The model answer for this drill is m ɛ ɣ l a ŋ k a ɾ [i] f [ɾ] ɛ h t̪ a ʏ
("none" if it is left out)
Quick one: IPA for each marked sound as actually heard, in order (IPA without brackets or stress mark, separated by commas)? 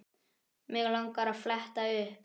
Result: a, l